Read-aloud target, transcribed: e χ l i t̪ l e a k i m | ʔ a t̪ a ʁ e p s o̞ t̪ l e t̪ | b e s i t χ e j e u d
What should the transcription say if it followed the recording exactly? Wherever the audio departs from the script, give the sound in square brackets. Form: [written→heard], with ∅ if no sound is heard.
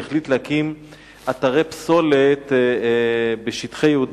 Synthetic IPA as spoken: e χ l i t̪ l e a k i m | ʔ a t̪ a ʁ e p s o̞ [t̪→∅] l e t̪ | b e [s→ʃ] i t χ e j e u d